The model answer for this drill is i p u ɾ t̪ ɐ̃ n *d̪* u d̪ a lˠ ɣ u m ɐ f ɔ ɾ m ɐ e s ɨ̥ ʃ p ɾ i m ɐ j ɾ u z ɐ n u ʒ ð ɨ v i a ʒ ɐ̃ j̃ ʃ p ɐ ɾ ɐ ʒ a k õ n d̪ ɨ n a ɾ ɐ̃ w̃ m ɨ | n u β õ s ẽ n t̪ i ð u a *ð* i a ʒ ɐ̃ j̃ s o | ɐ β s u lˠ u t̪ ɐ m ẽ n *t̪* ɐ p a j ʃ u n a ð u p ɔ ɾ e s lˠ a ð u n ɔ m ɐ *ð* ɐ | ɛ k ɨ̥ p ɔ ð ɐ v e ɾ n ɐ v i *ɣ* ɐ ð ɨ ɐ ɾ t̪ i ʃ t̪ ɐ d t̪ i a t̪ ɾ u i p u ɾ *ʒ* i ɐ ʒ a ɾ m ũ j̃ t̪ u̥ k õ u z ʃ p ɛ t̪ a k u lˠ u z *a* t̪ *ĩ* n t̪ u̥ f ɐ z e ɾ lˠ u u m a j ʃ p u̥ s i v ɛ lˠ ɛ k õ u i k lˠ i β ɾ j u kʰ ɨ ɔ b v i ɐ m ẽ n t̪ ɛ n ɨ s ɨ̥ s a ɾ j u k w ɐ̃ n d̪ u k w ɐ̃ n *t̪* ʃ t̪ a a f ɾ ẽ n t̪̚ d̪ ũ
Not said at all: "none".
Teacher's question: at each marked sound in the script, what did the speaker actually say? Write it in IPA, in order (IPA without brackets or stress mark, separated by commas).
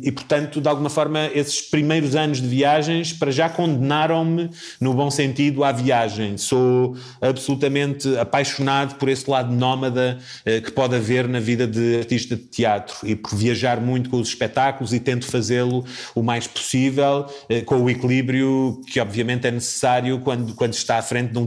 t̪, v, t̪, ð, ð, v, i, ẽ, d̪